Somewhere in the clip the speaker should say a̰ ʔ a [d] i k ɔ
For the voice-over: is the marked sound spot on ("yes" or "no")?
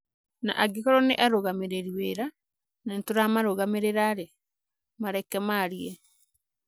no